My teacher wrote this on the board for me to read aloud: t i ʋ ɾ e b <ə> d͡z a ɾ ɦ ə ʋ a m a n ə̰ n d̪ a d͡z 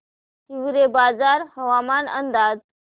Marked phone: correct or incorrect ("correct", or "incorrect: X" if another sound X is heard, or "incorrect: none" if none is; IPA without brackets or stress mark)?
incorrect: a